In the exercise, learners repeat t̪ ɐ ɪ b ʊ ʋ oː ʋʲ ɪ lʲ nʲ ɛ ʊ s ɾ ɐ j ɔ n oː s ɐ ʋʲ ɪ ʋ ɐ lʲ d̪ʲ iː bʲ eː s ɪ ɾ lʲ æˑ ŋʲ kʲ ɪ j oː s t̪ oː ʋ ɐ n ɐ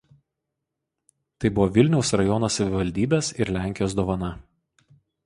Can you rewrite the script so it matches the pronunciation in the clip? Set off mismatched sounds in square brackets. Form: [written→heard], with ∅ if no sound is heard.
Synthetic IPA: t̪ ɐ ɪ b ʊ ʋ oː ʋʲ ɪ lʲ nʲ ɛ ʊ s ɾ ɐ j ɔ n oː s ɐ ʋʲ ɪ ʋ ɐ lʲ d̪ʲ iː bʲ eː s ɪ ɾ lʲ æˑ ŋʲ kʲ ɪ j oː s [t̪→d̪] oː ʋ ɐ n ɐ